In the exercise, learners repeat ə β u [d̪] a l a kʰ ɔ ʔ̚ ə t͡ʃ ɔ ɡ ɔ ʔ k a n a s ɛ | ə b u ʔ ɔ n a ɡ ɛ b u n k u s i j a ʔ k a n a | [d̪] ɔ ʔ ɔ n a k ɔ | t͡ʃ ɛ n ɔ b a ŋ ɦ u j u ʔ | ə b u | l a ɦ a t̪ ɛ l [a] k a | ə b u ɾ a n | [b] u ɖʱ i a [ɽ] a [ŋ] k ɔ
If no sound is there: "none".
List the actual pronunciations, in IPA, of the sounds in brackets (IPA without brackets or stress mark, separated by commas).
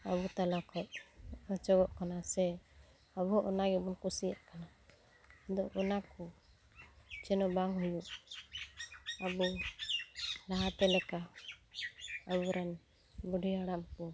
t̪, d̪, ɛ, b, ɽ, m